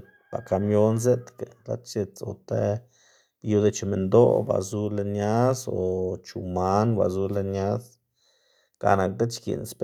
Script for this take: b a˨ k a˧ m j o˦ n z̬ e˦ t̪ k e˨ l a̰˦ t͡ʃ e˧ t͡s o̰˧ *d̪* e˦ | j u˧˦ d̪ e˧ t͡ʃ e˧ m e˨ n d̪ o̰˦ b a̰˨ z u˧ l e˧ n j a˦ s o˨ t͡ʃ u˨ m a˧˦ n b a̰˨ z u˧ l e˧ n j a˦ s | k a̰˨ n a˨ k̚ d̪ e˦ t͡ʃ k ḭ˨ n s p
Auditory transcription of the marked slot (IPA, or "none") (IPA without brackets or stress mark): t̪